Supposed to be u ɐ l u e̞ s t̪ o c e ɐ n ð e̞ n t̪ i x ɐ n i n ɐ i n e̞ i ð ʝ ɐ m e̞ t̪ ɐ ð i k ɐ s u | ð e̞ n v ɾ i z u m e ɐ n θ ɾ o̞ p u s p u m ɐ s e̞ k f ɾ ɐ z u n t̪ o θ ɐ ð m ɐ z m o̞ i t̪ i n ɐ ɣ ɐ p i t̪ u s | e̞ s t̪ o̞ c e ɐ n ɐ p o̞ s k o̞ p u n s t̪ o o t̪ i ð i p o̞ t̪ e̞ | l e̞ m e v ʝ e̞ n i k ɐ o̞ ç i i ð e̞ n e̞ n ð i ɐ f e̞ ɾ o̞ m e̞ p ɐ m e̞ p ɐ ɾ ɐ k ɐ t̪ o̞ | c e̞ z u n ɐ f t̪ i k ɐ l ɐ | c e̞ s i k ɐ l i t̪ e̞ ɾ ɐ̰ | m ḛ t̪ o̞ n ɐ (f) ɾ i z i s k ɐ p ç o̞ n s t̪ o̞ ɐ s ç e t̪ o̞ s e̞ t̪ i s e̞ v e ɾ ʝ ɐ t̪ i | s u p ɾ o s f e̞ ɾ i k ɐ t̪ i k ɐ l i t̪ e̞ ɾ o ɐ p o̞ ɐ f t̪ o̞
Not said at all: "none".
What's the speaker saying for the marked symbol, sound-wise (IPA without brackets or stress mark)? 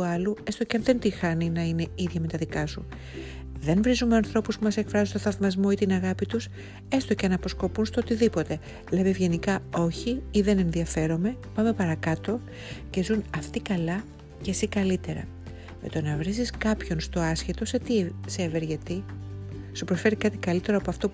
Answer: v